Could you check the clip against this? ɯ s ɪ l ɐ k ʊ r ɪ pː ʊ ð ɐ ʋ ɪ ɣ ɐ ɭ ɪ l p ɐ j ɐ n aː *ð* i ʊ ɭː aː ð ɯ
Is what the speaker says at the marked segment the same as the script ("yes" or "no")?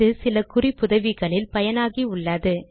no